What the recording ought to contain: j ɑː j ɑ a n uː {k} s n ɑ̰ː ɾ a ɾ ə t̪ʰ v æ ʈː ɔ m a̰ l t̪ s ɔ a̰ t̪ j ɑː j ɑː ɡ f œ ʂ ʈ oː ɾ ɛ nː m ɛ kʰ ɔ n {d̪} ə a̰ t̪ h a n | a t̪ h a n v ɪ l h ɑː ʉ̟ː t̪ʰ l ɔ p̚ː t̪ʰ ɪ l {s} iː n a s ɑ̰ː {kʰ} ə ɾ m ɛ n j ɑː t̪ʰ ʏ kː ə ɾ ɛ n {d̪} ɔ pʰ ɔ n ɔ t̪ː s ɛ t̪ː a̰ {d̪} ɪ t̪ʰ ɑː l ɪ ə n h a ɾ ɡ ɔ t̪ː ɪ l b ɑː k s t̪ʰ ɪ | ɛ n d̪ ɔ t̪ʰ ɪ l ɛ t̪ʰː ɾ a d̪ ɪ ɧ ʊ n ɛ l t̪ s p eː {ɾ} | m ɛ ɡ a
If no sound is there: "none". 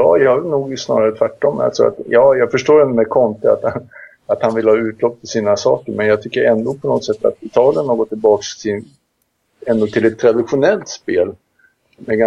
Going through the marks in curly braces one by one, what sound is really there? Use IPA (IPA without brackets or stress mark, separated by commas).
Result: ɡ, t̪, s, k, d̪, t̪, l